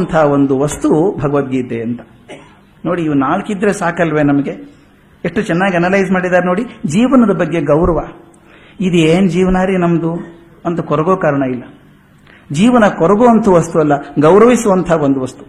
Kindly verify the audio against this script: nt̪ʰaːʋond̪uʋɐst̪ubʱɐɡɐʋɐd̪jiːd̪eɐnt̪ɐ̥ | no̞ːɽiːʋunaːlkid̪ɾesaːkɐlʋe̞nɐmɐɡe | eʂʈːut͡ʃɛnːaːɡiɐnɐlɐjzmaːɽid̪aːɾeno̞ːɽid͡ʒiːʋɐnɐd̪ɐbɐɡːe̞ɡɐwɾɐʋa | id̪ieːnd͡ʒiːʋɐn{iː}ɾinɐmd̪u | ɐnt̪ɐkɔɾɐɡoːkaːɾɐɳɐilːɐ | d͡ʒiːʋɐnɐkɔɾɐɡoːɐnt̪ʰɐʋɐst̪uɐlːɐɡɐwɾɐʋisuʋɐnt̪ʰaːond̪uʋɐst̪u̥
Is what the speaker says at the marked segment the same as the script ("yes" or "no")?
no